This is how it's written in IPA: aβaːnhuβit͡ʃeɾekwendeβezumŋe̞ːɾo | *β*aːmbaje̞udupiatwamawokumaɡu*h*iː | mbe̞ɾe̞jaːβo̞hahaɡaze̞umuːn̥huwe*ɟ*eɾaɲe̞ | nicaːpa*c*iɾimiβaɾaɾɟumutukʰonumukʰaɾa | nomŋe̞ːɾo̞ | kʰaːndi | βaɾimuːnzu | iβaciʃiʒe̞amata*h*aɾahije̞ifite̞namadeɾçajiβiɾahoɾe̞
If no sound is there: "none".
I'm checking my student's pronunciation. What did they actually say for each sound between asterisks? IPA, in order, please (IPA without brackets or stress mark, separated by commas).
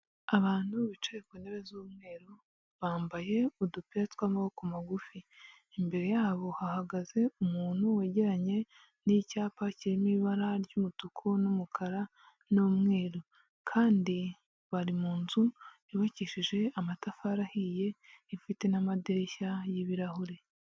β, f, ɟ, c, f